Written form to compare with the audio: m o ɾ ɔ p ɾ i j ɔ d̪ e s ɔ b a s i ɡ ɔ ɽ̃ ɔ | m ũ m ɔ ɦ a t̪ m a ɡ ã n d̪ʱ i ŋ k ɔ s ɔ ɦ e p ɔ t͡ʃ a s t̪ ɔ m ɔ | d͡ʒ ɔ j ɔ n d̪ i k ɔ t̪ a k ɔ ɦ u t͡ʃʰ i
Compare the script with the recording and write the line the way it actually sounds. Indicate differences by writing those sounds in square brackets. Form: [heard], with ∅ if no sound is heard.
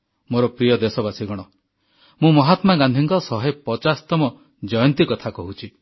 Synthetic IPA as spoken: m o ɾ ɔ p ɾ i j ɔ d̪ e s ɔ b a s i ɡ ɔ ɽ̃ ɔ | m ũ m ɔ ɦ a t̪ m a ɡ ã n d̪ʱ i ŋ k ɔ s ɔ ɦ e p ɔ t͡ʃ a s t̪ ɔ m ɔ | d͡ʒ ɔ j ɔ n [t̪] i k ɔ [t̪ʰ] a k ɔ ɦ u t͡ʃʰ i